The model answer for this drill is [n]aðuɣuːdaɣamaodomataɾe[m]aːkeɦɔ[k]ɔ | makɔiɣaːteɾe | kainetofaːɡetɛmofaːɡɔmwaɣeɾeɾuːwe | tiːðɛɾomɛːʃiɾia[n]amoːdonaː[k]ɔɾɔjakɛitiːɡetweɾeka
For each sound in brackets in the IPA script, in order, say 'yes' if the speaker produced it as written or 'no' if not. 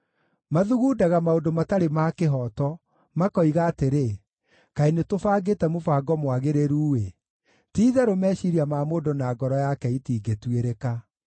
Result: no, yes, no, no, no

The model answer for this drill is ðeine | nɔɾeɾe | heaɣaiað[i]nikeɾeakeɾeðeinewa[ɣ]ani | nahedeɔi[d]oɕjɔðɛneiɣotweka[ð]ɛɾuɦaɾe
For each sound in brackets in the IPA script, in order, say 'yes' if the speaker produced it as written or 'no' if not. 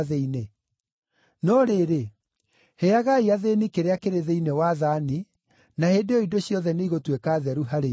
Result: no, no, yes, yes

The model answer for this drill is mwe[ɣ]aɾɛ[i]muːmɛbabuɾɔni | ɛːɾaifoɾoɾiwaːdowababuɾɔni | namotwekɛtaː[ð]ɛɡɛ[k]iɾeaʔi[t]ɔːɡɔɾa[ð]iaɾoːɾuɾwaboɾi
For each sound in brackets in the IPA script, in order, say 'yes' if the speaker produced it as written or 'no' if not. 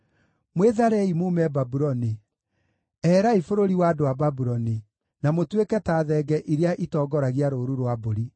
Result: no, yes, yes, no, yes, no

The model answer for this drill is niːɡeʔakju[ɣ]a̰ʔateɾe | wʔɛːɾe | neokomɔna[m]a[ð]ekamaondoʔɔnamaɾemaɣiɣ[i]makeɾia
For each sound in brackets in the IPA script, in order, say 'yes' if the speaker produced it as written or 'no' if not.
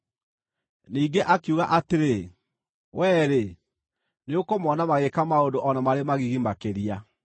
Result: yes, yes, no, yes

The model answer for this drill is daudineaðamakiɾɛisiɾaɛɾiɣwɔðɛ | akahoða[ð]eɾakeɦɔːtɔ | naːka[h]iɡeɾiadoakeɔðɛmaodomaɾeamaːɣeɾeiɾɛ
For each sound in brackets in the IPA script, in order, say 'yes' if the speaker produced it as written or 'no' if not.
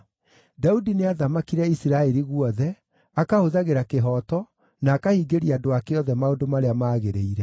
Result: no, yes

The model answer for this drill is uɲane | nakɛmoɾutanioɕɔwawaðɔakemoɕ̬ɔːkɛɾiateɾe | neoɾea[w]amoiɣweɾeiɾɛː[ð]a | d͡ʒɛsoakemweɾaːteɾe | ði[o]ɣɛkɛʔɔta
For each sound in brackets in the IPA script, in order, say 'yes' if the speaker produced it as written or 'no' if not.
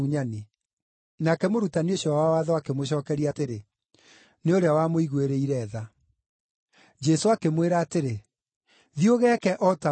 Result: yes, yes, yes

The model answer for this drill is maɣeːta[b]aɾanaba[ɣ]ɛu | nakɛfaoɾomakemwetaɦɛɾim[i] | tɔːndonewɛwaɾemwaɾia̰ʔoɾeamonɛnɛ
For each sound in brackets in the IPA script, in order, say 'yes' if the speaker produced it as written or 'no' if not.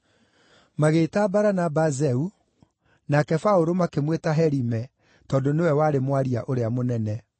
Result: yes, no, no

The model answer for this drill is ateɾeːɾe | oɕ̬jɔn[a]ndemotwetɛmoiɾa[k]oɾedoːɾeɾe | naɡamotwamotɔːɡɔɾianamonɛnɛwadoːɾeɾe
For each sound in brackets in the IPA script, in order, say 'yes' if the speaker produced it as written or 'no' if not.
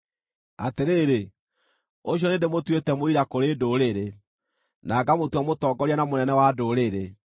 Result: no, yes

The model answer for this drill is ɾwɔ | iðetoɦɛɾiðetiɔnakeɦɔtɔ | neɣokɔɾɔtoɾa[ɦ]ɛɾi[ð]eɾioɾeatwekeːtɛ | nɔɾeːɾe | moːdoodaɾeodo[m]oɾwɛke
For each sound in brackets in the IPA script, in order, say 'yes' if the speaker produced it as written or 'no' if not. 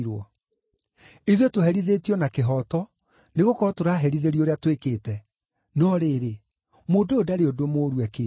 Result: yes, yes, yes

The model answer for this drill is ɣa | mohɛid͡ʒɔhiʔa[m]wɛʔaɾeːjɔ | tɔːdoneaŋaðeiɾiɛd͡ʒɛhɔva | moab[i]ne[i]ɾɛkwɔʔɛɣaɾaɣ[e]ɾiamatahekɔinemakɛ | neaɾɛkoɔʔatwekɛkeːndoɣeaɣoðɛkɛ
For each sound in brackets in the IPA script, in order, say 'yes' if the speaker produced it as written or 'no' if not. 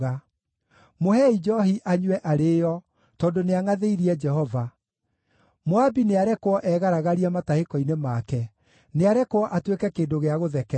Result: no, yes, no, no

